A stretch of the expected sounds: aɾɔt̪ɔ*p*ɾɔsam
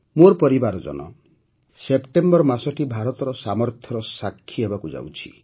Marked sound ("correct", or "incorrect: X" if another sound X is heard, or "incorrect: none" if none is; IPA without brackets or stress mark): incorrect: none